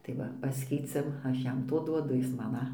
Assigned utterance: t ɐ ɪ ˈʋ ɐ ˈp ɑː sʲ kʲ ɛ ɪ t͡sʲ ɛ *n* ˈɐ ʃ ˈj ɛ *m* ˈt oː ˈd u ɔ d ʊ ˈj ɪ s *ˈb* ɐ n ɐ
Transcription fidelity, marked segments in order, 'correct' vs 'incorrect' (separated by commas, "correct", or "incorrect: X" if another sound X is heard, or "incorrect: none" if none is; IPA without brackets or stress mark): incorrect: m, correct, incorrect: m